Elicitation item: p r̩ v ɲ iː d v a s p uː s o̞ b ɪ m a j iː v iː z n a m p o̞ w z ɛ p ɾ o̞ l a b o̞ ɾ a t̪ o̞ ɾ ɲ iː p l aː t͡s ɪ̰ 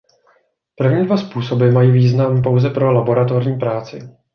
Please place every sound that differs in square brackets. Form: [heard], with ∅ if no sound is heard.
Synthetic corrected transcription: p r̩ v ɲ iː d v a s p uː s o̞ b ɪ m a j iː v iː z n a m p o̞ w z ɛ p ɾ o̞ l a b o̞ ɾ a t̪ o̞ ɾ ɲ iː p [ɾ] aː t͡s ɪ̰